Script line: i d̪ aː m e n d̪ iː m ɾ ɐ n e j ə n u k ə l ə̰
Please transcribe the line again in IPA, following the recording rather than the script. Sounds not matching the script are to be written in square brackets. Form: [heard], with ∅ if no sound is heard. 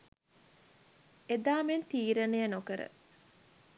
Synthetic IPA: [e] d̪ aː m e n [t̪] iː [∅] ɾ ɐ n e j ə n [o] k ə [ɾ] ə̰

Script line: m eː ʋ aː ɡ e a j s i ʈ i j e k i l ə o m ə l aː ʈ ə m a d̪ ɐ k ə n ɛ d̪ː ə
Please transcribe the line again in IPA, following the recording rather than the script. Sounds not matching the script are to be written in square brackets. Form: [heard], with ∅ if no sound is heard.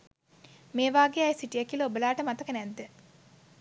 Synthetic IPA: m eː ʋ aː ɡ e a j s i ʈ i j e k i l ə o [b] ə l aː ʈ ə m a [t̪] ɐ k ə n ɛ d̪ː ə

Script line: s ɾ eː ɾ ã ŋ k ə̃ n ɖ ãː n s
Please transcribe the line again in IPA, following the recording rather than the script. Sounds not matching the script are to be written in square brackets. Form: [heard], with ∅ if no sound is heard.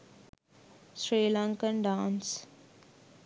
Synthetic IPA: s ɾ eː [l] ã ŋ k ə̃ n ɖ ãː n s

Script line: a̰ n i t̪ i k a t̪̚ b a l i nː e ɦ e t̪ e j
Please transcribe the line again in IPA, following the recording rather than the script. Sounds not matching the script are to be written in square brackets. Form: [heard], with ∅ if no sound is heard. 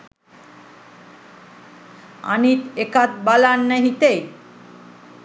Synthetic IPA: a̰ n i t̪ [e] k a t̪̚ b a l [a] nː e ɦ [i] t̪ e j

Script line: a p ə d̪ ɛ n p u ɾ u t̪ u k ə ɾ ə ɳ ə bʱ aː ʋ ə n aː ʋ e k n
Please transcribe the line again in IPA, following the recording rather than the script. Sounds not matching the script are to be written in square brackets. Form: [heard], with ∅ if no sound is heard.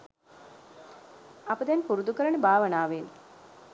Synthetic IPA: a p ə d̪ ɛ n p u ɾ u [d̪] u k ə ɾ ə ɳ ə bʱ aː ʋ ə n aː ʋ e [∅] n

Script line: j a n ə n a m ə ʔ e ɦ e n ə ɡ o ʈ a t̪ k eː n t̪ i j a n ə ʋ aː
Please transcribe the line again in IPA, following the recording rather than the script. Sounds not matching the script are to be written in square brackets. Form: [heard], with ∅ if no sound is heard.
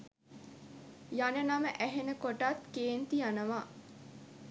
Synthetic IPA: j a n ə n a m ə ʔ [æ] ɦ e n ə [k] o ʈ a t̪ k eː n t̪ i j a n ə ʋ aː

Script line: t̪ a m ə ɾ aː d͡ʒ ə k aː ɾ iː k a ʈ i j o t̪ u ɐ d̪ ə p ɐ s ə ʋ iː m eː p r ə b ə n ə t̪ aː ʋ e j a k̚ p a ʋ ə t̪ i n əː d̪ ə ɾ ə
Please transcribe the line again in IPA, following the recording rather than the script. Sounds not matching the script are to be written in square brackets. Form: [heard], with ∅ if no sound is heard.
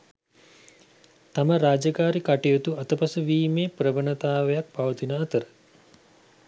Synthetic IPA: t̪ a m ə ɾ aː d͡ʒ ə k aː ɾ [i] k a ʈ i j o t̪ u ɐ [t̪] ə p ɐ s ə ʋ iː m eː p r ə b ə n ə t̪ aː ʋ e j a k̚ p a ʋ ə t̪ i n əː [t̪] ə ɾ ə

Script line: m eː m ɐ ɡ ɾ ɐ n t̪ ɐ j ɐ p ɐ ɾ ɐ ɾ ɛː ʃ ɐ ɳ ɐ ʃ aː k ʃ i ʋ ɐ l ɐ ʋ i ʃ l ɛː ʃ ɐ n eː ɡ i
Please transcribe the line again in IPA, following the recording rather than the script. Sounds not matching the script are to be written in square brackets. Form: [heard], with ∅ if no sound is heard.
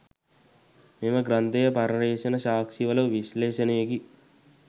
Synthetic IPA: m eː m ɐ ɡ ɾ ɐ n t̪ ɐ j ɐ p ɐ ɾ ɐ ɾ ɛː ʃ ɐ [n] ɐ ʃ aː k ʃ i ʋ ɐ l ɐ ʋ i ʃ l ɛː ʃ ɐ n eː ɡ i

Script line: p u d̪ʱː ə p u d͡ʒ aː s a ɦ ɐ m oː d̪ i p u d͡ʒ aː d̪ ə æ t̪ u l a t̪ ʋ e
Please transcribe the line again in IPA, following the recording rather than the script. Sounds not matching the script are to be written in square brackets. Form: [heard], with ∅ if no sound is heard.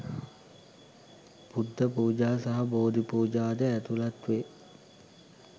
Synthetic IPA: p u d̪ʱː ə p [uː] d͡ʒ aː s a ɦ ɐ [b] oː d̪ i p [uː] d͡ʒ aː d̪ ə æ t̪ u l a t̪ ʋ e

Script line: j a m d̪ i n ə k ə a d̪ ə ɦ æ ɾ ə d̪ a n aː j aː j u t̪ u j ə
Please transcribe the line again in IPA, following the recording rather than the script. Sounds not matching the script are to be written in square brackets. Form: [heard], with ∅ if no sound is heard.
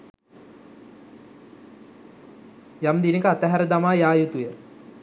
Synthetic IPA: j a m d̪ i n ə k ə a [t̪] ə ɦ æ ɾ ə d̪ a [m] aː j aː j u t̪ u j ə

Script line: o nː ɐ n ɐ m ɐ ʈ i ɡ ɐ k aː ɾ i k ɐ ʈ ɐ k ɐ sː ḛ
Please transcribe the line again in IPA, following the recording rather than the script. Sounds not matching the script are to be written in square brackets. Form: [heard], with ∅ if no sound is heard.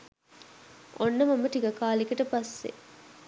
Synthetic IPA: o nː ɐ [m] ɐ m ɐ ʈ i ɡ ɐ k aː [l] i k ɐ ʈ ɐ [p] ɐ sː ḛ

